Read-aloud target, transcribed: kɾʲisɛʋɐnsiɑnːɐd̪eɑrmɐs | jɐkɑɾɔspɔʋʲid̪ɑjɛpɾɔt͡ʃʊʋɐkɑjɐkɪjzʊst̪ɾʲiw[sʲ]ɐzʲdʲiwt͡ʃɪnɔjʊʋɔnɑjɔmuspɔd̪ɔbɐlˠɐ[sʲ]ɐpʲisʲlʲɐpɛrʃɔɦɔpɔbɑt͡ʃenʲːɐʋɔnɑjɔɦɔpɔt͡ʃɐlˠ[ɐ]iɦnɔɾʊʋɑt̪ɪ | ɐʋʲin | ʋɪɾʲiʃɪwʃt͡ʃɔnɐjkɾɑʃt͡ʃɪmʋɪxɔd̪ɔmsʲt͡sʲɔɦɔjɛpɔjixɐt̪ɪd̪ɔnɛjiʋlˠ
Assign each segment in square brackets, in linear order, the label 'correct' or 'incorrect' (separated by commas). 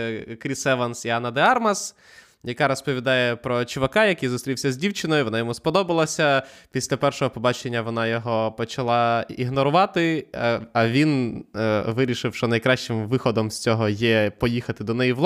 correct, correct, incorrect